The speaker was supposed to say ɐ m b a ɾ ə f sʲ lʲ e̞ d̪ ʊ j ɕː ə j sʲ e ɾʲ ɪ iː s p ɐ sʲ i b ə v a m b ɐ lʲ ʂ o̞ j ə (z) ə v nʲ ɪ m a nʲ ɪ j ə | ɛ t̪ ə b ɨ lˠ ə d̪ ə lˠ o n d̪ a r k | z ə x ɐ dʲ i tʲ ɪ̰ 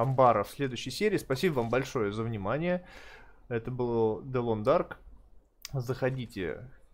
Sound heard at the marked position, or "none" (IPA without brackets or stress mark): z